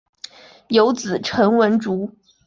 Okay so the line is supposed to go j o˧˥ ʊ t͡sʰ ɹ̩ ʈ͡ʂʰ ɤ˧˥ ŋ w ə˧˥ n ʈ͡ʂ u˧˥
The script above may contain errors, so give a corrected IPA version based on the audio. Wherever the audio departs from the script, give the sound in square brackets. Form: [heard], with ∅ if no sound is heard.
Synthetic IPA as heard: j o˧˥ ʊ [t͡s] ɹ̩ ʈ͡ʂʰ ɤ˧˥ ŋ w ə˧˥ n ʈ͡ʂ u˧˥